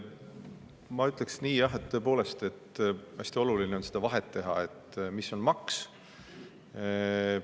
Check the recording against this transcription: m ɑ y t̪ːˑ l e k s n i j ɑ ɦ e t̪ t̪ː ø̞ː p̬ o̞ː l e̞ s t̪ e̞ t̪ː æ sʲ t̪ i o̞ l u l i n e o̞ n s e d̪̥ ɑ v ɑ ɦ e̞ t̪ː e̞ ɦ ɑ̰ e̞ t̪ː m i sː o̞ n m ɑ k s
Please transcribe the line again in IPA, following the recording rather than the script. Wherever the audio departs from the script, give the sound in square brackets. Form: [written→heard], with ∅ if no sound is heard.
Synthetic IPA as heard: m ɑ y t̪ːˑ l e k s n [i→iː] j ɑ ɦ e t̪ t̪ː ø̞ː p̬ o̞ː l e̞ s t̪ e̞ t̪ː æ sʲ t̪ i o̞ l u l i n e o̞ n s e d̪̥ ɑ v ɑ ɦ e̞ t̪ː e̞ ɦ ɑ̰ e̞ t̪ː m i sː o̞ n m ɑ k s